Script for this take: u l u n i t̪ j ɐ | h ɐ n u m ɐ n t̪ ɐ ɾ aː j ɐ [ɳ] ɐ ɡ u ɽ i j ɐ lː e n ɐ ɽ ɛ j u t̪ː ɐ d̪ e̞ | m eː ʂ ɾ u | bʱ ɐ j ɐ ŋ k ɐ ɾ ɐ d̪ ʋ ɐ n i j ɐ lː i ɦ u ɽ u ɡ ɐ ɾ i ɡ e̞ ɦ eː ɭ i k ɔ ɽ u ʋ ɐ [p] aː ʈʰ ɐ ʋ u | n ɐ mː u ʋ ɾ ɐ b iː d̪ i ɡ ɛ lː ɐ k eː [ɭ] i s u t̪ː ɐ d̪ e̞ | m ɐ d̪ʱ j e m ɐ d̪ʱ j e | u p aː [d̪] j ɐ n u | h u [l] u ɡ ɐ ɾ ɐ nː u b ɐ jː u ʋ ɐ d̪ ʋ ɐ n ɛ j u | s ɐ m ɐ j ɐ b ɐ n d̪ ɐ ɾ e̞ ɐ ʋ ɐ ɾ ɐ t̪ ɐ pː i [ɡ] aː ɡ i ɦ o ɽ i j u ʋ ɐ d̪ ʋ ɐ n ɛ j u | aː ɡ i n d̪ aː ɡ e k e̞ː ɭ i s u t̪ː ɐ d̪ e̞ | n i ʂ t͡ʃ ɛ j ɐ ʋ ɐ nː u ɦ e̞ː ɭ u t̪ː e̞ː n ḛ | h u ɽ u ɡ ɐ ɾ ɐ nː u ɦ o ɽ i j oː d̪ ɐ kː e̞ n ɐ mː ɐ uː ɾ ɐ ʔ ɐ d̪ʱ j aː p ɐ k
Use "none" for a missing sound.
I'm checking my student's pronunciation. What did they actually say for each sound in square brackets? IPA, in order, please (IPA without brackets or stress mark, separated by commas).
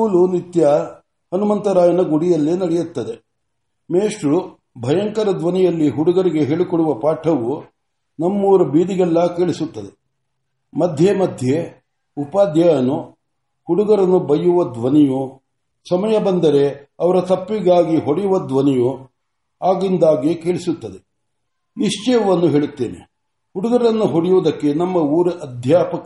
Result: n, p, ɭ, d̪, ɽ, ɡ